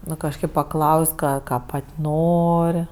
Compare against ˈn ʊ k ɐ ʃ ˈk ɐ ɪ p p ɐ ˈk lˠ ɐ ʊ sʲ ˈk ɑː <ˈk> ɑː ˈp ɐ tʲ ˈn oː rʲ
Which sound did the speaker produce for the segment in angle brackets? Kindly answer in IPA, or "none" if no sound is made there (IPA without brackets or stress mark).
k